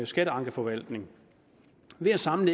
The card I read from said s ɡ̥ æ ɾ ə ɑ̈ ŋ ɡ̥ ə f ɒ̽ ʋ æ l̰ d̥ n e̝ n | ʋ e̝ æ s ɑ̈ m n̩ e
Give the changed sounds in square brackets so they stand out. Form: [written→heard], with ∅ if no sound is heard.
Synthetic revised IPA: s ɡ̥ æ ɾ ə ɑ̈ ŋ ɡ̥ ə f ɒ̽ ʋ æ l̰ d̥ n e̝ [n→ŋ] | ʋ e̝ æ s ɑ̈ m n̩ e